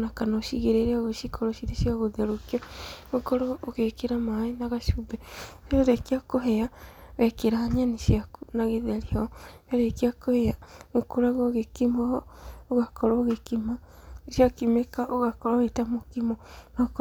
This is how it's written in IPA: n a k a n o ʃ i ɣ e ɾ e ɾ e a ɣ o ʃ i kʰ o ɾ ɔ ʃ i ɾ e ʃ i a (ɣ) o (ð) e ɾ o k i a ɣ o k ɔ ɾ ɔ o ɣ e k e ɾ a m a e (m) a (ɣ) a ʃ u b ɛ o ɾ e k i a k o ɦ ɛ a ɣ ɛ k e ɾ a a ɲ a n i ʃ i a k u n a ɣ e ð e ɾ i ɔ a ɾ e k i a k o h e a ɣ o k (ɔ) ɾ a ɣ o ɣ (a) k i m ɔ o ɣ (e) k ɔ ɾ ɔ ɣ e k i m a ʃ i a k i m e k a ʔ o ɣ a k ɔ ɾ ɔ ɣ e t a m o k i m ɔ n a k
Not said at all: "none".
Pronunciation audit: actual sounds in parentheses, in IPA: ɣ, ð, n, ɣ, o, e, a

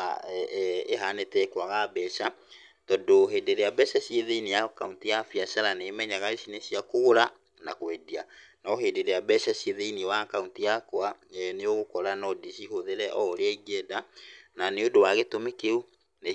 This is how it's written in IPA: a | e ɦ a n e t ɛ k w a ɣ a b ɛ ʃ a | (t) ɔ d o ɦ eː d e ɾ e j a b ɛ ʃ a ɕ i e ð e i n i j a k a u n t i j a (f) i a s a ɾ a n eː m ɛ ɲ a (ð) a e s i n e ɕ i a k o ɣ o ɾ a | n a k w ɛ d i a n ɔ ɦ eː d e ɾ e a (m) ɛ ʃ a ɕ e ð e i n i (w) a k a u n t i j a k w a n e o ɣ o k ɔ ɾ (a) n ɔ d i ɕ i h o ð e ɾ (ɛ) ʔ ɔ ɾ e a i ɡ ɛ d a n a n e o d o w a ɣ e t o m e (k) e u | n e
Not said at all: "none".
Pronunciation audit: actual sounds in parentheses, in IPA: t, f, ɣ, b, w, a, ɛ, k

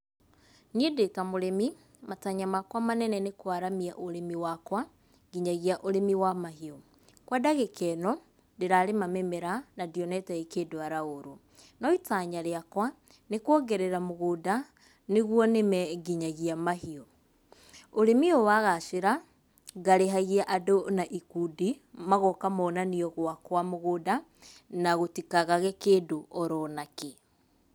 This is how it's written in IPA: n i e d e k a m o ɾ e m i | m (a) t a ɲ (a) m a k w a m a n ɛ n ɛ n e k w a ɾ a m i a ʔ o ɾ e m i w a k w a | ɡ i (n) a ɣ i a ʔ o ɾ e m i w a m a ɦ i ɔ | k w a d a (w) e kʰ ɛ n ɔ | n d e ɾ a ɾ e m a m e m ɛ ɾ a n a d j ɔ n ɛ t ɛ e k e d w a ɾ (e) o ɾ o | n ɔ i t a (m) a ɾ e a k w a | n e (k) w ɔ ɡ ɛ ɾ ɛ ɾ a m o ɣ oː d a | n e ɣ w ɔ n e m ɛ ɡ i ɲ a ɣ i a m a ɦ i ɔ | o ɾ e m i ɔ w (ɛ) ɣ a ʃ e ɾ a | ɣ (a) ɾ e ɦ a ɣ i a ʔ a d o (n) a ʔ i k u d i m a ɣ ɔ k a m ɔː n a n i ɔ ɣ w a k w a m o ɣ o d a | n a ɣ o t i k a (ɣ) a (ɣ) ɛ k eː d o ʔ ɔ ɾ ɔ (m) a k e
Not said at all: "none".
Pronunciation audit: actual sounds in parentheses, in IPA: a, a, ɲ, ɣ, a, ɲ, k, a, a, n, ɣ, ɣ, n

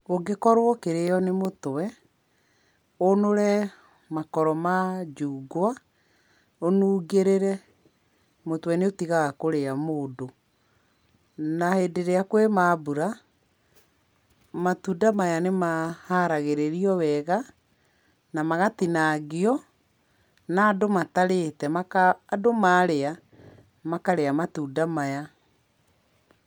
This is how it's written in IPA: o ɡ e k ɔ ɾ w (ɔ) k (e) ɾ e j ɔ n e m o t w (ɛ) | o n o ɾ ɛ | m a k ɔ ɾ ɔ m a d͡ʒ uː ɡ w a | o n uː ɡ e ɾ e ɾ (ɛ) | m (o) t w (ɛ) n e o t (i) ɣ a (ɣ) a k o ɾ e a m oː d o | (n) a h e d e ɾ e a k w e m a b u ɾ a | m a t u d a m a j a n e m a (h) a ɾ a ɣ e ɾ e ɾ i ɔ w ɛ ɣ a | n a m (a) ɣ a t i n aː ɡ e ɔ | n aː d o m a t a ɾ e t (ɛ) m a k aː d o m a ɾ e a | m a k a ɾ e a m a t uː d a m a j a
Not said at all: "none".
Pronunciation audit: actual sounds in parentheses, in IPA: ɔ, e, ɛ, ɛ, o, ɛ, i, ɣ, n, h, a, ɛ

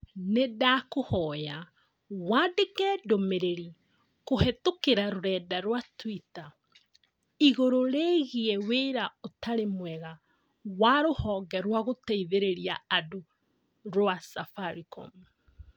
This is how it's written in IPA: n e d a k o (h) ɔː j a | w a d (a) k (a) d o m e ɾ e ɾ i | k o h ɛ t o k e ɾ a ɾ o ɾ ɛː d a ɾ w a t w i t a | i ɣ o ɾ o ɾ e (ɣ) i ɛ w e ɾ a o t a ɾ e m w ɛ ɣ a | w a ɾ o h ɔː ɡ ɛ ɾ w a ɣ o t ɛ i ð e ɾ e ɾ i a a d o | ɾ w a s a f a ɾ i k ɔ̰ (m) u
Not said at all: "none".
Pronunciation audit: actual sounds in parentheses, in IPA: h, e, ɛ, ɣ, m

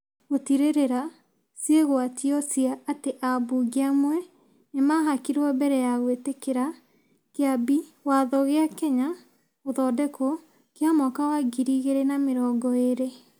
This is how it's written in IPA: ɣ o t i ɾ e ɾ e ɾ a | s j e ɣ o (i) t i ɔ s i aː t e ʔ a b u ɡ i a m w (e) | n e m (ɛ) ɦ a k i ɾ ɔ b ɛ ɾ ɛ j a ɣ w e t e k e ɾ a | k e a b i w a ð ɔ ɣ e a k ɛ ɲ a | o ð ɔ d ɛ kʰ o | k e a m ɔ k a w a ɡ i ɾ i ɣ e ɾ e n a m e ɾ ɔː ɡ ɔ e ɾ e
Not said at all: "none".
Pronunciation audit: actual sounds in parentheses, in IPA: a, ɛ, a

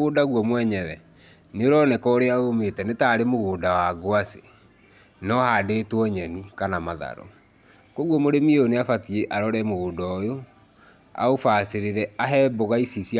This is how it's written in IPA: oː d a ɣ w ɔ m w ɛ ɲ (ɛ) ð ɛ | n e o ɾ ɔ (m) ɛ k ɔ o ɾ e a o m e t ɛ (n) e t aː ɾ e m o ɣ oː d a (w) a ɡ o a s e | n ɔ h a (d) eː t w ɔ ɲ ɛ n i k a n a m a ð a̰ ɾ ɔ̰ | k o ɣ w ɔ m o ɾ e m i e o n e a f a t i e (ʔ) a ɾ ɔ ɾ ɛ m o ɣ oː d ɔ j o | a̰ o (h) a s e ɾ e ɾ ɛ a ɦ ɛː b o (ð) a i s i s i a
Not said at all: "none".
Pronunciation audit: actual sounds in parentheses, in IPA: ɛ, n, n, w, d, ʔ, f, ɣ

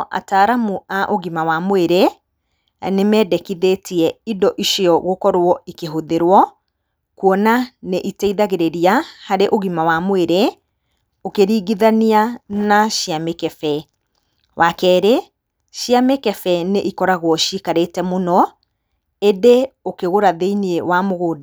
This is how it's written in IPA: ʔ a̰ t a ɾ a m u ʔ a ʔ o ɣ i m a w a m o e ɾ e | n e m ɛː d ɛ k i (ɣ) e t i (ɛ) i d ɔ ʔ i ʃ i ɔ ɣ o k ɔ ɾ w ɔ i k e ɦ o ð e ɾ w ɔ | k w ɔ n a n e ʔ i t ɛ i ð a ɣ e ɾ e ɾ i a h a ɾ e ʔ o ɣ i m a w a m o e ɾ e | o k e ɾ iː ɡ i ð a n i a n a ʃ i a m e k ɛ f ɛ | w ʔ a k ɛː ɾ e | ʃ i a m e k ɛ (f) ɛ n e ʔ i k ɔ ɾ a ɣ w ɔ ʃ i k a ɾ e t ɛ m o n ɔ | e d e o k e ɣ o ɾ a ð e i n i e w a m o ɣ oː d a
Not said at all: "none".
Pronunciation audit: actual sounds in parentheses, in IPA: ð, ɛ, f

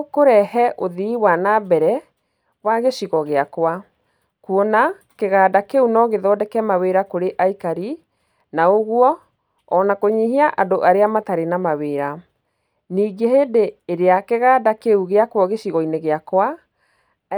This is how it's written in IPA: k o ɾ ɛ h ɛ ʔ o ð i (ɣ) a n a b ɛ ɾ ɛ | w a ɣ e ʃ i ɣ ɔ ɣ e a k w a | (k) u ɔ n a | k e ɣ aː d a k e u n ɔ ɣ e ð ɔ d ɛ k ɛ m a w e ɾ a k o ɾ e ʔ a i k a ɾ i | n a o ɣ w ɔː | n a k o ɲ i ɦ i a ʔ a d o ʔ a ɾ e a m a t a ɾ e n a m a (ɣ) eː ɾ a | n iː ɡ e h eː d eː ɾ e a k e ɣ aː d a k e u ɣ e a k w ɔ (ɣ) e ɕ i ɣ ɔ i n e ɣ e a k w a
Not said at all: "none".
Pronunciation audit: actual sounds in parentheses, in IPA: w, k, w, ɣ

